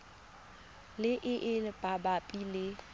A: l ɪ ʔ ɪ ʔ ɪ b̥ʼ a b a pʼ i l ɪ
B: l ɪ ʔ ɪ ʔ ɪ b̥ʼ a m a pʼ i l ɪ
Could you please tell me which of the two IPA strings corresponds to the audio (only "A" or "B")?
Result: A